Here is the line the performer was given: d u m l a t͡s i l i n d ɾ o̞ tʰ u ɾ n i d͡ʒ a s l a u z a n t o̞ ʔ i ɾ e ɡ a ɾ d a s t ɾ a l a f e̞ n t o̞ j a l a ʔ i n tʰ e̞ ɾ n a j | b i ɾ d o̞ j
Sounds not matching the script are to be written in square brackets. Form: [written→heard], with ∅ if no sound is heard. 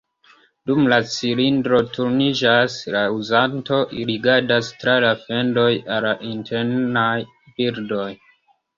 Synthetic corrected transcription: d u m l a t͡s i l i n d ɾ o̞ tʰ u ɾ n i d͡ʒ a s l a u z a n t o̞ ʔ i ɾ [e→i] ɡ a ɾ d a s t ɾ a l a f e̞ n [t→d] o̞ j a l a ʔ i n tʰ e̞ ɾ n a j | b i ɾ d o̞ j